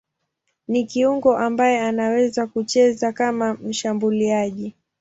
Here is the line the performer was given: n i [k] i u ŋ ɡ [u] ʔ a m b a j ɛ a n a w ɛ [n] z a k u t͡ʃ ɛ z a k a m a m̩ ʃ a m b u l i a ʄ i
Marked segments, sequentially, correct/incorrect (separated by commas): correct, incorrect, incorrect